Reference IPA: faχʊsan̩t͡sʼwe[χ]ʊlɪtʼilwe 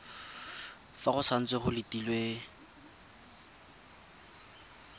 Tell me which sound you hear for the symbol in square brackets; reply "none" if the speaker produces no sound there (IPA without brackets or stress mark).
χ